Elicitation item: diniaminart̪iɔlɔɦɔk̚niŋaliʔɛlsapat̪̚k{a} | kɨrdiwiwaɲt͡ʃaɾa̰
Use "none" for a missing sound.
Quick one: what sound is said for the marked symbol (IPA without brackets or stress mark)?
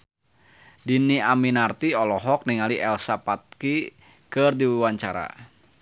i